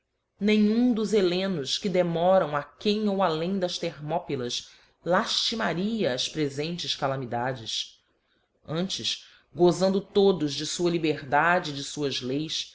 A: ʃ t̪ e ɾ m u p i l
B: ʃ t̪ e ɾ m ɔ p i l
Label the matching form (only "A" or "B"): B